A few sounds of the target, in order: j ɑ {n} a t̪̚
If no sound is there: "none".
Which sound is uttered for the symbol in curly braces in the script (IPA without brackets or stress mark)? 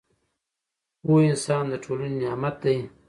m